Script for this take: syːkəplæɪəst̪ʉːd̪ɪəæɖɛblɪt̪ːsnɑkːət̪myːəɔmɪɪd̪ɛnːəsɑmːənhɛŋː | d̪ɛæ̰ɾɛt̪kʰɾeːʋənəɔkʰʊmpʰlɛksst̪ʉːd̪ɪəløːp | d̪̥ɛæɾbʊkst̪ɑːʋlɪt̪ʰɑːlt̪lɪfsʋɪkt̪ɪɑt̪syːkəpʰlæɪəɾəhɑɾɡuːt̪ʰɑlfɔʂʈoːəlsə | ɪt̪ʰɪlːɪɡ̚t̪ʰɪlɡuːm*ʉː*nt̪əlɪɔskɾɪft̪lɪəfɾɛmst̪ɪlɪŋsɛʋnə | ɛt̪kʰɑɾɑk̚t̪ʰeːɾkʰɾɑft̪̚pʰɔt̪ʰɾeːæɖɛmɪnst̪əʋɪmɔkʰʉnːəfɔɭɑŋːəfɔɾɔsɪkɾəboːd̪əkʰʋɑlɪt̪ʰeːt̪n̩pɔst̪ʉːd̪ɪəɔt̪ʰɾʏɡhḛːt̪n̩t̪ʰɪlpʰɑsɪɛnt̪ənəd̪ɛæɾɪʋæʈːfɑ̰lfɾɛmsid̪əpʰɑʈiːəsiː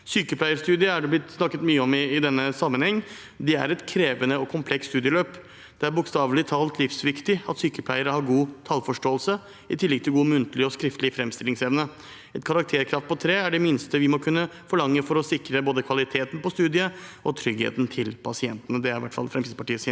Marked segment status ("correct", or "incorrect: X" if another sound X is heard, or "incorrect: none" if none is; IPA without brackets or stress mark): incorrect: ʉ